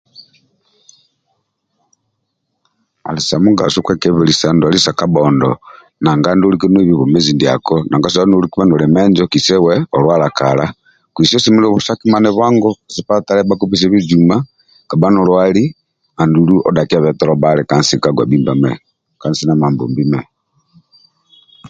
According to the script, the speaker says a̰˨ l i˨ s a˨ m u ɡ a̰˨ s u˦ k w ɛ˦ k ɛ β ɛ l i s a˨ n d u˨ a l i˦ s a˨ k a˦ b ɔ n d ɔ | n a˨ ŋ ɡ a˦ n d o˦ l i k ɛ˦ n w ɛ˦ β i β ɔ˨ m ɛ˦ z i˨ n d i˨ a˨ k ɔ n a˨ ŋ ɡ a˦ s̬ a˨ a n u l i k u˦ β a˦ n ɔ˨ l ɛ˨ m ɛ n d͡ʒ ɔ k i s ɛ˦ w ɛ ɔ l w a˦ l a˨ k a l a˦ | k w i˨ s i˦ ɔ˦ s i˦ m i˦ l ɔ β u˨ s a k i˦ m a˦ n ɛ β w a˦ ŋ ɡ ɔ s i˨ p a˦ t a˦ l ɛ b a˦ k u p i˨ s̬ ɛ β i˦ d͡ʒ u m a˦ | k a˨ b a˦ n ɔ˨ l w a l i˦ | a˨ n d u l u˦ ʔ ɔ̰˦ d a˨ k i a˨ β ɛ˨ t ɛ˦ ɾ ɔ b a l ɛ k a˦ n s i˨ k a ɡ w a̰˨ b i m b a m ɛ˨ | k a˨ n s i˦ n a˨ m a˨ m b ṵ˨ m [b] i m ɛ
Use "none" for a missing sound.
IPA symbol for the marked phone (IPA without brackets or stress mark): b